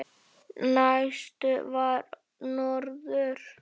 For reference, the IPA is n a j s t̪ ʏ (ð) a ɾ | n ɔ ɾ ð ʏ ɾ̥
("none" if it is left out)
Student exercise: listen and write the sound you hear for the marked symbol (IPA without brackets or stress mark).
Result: v